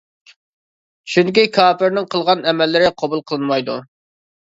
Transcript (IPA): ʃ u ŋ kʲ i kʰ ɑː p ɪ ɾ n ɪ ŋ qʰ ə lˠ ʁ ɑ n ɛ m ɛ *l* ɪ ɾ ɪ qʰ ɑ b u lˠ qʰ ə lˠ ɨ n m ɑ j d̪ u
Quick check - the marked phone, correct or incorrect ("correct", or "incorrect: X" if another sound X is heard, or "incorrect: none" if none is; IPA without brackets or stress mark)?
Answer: incorrect: lː